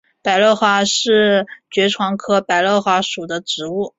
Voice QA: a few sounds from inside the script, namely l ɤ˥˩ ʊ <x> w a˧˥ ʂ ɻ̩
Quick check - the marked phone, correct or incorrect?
correct